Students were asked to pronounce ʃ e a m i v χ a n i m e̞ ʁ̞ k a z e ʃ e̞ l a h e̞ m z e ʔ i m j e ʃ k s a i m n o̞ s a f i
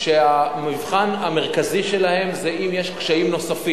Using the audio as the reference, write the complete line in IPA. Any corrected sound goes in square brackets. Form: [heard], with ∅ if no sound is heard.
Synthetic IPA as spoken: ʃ e a m i v χ a n [a] m e̞ ʁ̞ k a z [i] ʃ e̞ l a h e̞ m z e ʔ i m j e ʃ k [ʃ] a i m n o̞ s a f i